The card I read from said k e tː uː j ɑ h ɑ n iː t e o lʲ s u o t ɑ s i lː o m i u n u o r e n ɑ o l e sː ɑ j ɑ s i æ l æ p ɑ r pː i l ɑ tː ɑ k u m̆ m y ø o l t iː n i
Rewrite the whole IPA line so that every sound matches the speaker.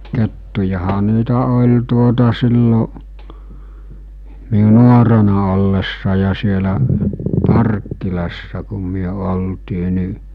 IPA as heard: k e tː u j ɑ h ɑ n iː t æ o lʲ t u o t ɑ s i lː o m i u n u o r e n ɑ o lː e sː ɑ j ɑ s i e l æ p ɑ r kː i l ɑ sː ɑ k u m̆ m y ø o l t iː n i